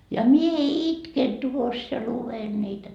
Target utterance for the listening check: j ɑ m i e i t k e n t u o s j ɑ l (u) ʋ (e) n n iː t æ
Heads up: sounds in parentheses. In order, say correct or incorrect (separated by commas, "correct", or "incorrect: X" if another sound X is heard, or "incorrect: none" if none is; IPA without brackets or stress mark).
correct, correct